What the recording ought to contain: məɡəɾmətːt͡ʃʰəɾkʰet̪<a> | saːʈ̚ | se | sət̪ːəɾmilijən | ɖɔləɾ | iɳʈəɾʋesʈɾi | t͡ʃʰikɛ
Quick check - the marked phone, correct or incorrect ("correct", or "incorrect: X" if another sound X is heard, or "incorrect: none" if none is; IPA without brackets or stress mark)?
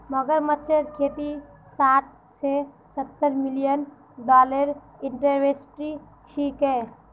incorrect: i